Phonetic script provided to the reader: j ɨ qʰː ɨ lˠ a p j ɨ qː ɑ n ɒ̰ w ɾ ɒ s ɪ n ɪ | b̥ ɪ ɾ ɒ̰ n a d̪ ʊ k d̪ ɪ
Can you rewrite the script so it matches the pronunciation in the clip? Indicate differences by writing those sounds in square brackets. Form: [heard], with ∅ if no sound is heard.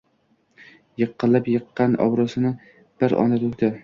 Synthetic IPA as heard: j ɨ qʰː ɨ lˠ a p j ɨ qː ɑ n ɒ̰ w ɾ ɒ s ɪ n ɪ | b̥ ɪ ɾ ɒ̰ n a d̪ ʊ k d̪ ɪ